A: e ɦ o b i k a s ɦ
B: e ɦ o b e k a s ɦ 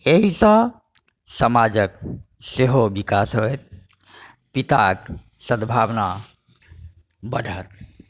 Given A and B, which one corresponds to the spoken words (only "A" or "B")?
A